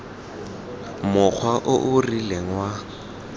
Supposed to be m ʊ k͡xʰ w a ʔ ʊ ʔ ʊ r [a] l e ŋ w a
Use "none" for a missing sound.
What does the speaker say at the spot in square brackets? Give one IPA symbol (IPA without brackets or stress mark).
i